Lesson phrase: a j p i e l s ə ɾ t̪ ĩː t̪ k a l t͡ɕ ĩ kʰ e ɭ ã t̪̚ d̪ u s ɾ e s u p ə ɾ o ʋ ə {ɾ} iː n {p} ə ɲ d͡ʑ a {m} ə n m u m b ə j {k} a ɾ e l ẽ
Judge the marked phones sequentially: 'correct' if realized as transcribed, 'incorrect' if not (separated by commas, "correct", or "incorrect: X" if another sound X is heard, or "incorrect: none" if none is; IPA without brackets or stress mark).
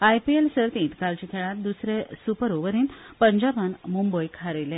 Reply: correct, correct, incorrect: b, incorrect: kʰ